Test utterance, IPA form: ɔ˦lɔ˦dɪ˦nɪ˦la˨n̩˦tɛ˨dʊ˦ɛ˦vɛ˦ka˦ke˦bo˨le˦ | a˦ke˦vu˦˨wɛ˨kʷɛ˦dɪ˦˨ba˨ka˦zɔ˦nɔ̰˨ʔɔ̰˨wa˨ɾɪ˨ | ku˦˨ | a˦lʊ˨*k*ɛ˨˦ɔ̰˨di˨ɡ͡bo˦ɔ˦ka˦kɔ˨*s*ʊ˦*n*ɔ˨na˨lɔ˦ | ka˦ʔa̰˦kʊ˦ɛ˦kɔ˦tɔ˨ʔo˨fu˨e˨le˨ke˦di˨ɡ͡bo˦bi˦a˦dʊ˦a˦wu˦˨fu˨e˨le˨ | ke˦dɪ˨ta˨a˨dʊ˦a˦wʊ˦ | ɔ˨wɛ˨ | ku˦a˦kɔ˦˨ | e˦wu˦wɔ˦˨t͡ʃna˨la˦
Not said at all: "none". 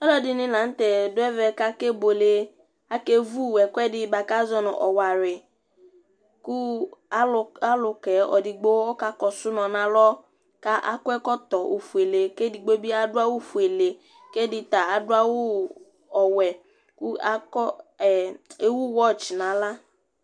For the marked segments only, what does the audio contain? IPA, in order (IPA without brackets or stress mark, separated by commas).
k, s, n